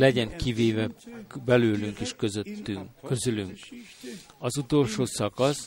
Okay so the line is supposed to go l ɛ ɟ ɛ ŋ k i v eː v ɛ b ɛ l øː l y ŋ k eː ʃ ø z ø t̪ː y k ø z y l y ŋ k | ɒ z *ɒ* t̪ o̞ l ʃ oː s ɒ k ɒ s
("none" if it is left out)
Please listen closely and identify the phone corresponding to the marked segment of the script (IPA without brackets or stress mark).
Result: u